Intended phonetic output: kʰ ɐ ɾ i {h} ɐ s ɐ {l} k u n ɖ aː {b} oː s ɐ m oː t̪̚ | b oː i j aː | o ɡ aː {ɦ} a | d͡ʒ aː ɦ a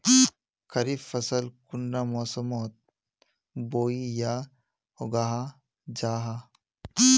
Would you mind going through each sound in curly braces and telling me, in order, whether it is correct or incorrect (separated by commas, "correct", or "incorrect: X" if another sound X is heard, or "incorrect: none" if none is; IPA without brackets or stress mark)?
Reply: incorrect: f, correct, incorrect: m, correct